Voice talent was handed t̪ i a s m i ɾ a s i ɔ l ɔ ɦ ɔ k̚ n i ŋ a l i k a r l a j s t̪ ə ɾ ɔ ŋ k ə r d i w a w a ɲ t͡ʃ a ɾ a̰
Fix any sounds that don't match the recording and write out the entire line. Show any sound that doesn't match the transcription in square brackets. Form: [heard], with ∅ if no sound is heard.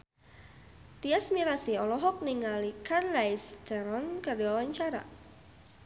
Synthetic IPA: t̪ i a s m i ɾ a s i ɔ l ɔ ɦ ɔ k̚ n i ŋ a l i k a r l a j s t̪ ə ɾ ɔ [n] k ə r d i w a w a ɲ t͡ʃ a ɾ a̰